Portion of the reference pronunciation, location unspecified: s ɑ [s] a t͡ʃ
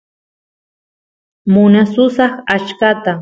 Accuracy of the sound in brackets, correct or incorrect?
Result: incorrect